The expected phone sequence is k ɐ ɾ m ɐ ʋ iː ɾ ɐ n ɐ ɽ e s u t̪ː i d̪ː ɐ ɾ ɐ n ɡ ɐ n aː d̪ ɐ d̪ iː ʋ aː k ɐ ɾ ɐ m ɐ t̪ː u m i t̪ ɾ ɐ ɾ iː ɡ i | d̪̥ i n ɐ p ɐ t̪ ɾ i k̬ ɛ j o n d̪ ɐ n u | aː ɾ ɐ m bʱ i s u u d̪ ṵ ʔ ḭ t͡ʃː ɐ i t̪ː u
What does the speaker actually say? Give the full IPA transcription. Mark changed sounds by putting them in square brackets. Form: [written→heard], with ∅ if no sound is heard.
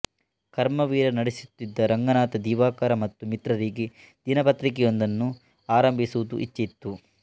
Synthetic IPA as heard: k ɐ ɾ m ɐ ʋ iː ɾ ɐ n ɐ ɽ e s u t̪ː i d̪ː ɐ ɾ ɐ [n→ŋ] ɡ ɐ n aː [d̪→t̪] ɐ d̪ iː ʋ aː k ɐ ɾ ɐ m ɐ t̪ː u m i t̪ ɾ ɐ ɾ iː ɡ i | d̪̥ i n ɐ p ɐ t̪ ɾ i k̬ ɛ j o n d̪ ɐ [n→nː] u | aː ɾ ɐ m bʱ i s u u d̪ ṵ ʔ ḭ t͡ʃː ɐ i t̪ː u